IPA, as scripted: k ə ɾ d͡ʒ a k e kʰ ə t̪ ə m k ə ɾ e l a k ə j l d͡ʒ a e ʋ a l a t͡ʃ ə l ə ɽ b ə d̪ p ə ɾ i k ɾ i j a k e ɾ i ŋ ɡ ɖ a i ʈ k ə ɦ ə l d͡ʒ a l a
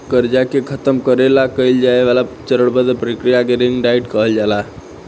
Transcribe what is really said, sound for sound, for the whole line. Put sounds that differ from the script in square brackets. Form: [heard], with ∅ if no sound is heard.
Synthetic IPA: k ə ɾ d͡ʒ a k e kʰ ə t̪ ə m k ə ɾ e l a k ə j l d͡ʒ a e ʋ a l a t͡ʃ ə [ɾ] ə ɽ b ə d̪ p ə ɾ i k ɾ i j a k e ɾ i ŋ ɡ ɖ a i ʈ k ə ɦ ə l d͡ʒ a l a